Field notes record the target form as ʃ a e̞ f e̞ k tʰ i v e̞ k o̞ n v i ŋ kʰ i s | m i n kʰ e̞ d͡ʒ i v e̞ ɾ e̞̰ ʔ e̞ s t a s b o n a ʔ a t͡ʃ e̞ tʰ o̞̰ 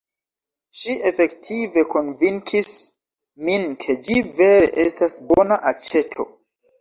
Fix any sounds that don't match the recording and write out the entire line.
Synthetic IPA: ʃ i e̞ f e̞ k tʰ i v e̞ k o̞ n v i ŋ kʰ i s | m i n kʰ e̞ d͡ʒ i v e̞ ɾ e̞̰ ʔ e̞ s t a s b o n a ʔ a t͡ʃ e̞ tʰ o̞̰